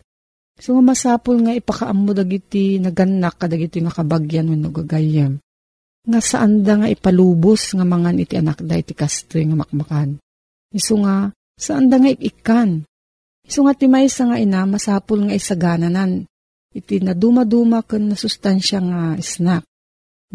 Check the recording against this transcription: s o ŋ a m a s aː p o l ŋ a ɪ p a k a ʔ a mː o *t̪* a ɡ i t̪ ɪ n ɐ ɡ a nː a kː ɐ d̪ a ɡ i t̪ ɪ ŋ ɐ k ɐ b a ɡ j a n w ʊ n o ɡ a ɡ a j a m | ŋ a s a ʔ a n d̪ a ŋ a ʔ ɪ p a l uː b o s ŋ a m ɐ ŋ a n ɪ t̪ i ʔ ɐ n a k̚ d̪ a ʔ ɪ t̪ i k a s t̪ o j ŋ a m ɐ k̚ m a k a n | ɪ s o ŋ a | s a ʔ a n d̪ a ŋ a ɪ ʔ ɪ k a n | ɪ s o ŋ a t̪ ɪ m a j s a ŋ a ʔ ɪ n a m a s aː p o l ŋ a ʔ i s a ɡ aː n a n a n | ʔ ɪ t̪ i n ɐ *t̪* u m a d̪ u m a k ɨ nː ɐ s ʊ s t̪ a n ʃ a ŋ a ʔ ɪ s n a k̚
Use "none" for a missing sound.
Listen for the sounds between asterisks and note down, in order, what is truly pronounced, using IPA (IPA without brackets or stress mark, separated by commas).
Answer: d̪, d̪